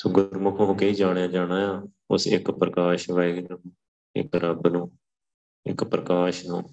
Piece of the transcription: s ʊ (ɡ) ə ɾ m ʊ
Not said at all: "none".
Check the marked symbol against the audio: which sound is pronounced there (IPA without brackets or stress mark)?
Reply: ɡ